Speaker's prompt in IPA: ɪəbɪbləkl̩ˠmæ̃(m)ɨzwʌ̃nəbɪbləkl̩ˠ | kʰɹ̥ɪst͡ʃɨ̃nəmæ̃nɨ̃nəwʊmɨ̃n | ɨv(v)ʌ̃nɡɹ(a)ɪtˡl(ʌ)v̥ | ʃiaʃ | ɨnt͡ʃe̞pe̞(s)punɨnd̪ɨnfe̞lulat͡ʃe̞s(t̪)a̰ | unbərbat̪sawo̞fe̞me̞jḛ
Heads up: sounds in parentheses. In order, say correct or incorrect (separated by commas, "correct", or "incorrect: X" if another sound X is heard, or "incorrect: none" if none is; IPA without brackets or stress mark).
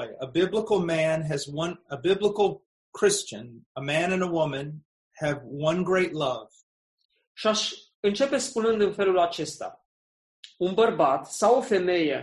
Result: incorrect: n, incorrect: w, incorrect: e, correct, correct, correct